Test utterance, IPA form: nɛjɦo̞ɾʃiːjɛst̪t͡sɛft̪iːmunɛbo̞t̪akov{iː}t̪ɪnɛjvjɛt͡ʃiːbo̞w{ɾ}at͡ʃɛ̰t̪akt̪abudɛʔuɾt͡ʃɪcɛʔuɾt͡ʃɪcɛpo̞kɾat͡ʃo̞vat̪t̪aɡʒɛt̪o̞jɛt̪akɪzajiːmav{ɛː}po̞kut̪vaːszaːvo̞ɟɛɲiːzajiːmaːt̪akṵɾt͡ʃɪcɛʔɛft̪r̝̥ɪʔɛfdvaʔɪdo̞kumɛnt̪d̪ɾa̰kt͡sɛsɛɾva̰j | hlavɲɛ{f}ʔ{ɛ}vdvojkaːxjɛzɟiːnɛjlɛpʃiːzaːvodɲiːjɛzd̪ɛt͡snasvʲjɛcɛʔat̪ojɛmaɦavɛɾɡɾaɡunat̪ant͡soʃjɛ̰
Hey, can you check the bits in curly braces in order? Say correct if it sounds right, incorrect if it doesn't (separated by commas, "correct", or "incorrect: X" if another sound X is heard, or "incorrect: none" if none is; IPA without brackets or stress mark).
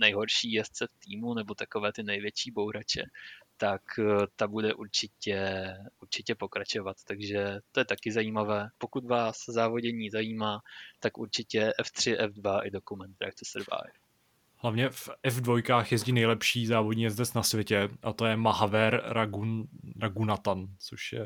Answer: incorrect: ɛː, correct, correct, correct, correct